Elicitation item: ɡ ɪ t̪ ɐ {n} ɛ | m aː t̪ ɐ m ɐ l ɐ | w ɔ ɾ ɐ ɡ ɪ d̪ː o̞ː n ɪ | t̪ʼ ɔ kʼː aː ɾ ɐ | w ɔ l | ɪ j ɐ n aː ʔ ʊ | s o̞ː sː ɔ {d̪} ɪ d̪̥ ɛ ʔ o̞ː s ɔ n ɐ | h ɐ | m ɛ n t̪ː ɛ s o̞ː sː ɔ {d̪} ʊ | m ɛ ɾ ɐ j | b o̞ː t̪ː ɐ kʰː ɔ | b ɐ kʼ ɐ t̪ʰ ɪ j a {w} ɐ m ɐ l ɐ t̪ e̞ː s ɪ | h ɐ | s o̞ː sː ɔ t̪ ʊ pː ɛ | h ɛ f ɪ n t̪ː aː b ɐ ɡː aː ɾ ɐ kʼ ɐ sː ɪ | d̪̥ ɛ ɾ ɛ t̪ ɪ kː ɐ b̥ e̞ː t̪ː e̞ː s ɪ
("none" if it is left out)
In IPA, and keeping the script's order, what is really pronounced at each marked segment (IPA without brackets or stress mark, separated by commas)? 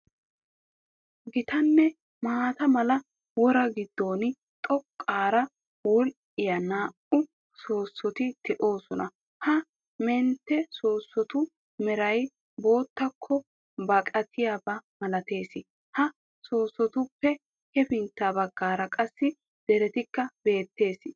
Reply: nː, t̪, t̪, b